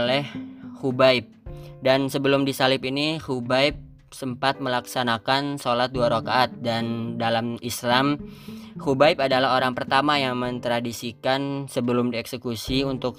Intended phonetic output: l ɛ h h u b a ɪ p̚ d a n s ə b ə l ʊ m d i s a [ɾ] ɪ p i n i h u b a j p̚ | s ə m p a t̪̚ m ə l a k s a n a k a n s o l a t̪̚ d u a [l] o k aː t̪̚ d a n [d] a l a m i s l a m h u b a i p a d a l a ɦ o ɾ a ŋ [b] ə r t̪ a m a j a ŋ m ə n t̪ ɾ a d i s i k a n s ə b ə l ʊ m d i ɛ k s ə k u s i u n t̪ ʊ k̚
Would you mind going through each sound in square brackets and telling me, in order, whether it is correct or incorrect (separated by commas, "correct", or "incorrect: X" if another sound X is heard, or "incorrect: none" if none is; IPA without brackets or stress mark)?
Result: incorrect: l, incorrect: ɾ, correct, incorrect: p